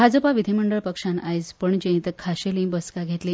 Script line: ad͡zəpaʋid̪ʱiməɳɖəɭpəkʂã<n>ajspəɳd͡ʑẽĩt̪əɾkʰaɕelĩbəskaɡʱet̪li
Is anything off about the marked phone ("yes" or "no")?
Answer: no